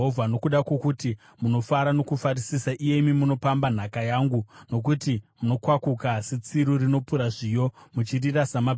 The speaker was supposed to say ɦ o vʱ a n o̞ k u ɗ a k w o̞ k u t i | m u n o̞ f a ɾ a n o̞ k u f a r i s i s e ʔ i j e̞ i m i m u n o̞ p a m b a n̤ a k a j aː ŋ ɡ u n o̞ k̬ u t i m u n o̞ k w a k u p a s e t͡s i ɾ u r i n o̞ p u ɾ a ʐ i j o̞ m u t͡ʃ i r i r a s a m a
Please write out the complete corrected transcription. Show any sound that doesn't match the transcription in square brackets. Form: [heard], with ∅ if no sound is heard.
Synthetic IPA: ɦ o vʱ a n o̞ k u ɗ a k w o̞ k u t i | m u n o̞ f a ɾ a n o̞ k u f a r i s i s [a] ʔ i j e̞ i m i m u n o̞ p a m b a n̤ a k a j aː ŋ ɡ u n o̞ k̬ u t i m u n o̞ k w a k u [k] a s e t͡s i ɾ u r i n o̞ p u ɾ a ʐ i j o̞ m u t͡ʃ i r i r a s a m a